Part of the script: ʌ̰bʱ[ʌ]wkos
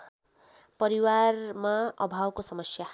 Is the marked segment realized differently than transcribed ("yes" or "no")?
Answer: yes